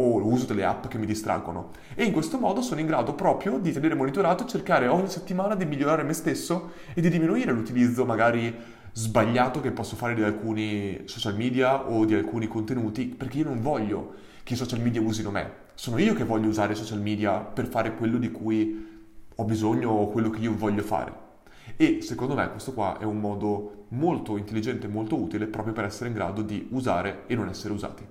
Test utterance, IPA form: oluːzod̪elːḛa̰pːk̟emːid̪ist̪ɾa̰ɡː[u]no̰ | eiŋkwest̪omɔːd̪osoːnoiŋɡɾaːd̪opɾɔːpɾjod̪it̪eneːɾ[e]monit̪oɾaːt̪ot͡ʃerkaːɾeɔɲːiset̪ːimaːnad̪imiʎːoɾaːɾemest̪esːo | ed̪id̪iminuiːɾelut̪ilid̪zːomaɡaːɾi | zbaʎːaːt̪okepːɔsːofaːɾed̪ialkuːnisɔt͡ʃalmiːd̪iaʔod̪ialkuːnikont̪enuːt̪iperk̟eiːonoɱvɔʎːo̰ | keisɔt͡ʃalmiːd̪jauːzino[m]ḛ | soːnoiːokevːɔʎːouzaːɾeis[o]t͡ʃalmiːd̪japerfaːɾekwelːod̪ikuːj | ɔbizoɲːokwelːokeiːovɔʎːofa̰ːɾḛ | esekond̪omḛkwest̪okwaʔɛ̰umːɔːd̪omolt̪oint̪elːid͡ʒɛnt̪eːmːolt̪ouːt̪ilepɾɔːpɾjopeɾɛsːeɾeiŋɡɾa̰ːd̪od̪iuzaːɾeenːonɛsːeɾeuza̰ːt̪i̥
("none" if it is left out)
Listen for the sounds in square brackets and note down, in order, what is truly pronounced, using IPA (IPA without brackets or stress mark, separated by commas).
o, e, m, ɔ